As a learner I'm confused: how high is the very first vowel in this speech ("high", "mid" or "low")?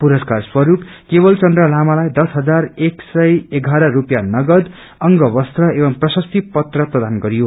high